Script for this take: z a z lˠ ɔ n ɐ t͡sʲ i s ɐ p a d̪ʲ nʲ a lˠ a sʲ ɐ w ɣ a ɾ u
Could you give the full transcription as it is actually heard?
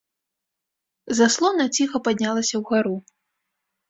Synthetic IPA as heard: z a s lˠ ɔ n ɐ t͡sʲ i x ɐ p a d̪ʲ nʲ a lˠ ɐ sʲ ɐ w ɣ a ɾ u